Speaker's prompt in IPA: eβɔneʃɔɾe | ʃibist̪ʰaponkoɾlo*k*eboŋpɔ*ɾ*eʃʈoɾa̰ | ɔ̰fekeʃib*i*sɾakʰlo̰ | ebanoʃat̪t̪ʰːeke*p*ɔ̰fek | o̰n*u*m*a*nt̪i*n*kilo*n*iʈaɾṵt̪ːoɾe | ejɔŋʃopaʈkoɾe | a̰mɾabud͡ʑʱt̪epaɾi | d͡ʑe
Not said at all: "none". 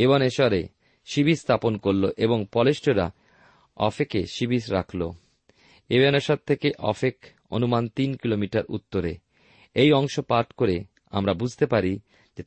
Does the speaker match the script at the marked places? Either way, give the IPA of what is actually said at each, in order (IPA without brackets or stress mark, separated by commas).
ʔ, l, i, ʔ, u, a, n, m